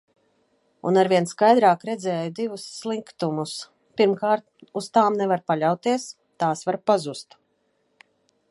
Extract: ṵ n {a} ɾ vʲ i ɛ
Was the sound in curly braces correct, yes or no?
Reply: yes